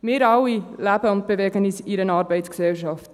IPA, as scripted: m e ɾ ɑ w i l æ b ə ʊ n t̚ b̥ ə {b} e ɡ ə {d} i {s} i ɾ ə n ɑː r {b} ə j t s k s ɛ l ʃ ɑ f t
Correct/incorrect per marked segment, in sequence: incorrect: v, incorrect: n, correct, correct

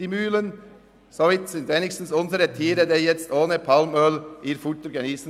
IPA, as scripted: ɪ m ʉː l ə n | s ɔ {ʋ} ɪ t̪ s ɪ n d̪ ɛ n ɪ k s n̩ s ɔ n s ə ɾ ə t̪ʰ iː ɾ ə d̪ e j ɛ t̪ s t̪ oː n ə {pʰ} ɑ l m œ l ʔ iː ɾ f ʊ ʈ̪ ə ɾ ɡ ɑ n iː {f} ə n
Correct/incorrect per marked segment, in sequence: correct, correct, incorrect: s

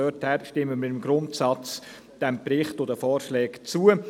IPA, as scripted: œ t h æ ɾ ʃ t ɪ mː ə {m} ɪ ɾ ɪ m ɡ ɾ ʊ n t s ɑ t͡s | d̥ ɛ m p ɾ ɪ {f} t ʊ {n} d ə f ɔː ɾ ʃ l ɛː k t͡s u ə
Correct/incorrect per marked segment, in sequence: correct, incorrect: χ, incorrect: none

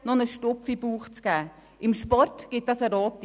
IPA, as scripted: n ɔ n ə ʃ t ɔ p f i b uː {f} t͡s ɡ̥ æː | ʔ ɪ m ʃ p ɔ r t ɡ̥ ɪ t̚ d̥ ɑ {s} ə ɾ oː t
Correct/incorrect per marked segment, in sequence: incorrect: χ, correct

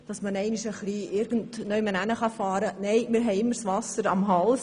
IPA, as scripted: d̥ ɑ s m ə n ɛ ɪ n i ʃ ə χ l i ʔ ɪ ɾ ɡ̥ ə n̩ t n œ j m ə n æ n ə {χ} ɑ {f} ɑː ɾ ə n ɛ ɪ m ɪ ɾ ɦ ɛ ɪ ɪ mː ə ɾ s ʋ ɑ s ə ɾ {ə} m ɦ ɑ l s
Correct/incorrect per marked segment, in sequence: correct, correct, incorrect: ɑ

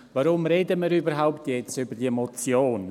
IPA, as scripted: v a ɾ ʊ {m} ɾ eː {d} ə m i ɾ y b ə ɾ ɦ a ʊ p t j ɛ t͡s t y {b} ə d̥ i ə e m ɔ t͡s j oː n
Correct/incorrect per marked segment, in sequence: correct, correct, correct

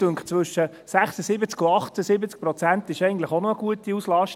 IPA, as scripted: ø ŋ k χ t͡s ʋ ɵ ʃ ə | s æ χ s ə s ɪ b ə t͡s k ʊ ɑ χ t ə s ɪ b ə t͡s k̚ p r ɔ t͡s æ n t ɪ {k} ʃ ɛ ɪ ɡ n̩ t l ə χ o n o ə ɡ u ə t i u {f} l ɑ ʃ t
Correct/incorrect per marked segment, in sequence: incorrect: none, incorrect: s

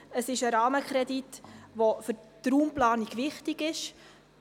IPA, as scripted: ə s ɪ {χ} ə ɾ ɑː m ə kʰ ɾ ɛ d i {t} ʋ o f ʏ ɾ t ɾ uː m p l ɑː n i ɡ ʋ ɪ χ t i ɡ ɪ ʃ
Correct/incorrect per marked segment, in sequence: incorrect: ʃ, correct

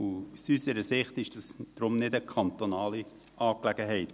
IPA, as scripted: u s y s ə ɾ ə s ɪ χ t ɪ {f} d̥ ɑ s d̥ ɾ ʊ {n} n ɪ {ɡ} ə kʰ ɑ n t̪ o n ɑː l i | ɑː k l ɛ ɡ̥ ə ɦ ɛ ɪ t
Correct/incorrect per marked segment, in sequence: incorrect: ʃ, incorrect: m, incorrect: d

